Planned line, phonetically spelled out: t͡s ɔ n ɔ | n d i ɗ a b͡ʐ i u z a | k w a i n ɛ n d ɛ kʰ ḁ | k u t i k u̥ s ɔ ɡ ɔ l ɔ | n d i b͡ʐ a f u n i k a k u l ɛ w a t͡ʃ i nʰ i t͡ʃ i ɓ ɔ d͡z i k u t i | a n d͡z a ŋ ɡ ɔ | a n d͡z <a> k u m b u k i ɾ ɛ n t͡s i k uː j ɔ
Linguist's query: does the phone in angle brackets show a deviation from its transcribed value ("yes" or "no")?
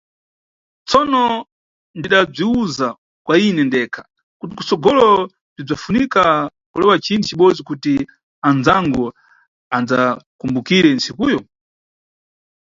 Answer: no